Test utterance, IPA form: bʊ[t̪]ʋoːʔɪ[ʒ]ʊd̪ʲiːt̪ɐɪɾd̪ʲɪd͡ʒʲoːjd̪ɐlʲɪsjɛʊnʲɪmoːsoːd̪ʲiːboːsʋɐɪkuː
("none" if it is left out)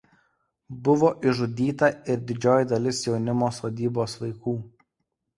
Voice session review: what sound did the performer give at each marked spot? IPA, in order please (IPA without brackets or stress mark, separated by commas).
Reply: none, ʒ